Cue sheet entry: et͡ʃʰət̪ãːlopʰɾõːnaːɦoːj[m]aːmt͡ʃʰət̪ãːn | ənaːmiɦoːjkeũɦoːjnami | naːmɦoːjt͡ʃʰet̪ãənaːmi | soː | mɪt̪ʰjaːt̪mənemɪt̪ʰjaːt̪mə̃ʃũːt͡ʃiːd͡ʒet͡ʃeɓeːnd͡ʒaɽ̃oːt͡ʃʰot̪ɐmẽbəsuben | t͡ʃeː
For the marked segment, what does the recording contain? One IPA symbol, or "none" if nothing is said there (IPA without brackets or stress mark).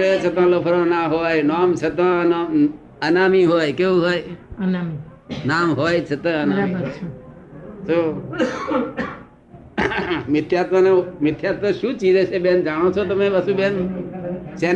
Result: n